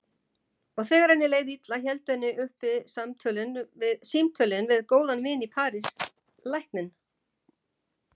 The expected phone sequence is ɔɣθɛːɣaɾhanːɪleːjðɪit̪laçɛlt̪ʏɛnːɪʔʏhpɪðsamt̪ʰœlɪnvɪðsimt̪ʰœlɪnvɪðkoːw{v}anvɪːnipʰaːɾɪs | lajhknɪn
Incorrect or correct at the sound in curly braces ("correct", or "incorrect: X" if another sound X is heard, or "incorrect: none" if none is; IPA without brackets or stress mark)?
incorrect: ð